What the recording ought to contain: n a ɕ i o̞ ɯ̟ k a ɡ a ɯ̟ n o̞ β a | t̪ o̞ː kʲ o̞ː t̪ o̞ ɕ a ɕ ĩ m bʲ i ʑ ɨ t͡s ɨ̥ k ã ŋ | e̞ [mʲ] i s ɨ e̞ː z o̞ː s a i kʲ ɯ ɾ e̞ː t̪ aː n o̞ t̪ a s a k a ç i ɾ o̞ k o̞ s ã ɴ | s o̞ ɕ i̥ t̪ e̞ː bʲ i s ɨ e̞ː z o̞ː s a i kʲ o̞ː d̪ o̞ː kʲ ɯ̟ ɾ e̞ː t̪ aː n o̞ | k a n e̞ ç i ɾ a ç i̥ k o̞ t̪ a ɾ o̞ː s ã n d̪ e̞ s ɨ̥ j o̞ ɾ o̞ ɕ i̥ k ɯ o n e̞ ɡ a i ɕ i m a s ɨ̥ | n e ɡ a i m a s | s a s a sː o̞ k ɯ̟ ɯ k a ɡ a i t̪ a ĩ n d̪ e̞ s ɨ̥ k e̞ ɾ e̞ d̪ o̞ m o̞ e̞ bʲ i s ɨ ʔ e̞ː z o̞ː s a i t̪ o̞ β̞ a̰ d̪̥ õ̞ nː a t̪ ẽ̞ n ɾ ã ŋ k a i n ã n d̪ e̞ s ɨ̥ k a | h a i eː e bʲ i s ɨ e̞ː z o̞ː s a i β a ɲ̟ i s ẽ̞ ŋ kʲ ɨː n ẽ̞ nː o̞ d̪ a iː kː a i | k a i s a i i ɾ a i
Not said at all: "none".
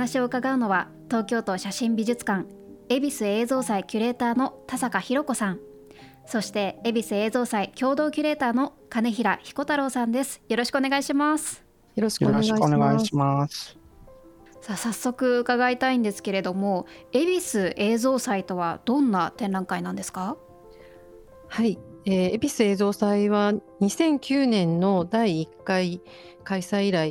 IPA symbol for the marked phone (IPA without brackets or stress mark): bʲ